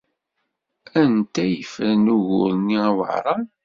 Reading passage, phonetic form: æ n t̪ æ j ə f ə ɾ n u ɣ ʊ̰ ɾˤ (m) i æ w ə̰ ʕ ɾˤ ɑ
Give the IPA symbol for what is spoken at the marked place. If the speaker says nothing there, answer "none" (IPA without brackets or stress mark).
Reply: n